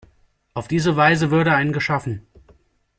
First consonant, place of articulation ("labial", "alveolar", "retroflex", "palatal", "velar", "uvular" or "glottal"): glottal